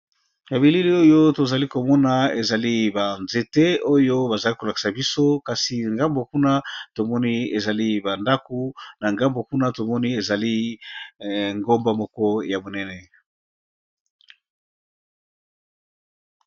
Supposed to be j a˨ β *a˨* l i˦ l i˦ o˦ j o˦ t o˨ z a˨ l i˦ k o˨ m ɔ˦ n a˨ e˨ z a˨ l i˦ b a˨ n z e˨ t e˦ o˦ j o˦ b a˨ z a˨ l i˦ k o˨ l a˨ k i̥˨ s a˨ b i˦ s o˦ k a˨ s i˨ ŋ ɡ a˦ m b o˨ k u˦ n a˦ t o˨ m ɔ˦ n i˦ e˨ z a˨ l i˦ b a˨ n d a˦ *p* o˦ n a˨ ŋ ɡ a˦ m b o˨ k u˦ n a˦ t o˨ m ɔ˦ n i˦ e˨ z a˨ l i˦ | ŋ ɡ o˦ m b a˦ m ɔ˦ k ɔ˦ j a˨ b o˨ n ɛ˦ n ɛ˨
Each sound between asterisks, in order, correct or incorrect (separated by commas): incorrect, incorrect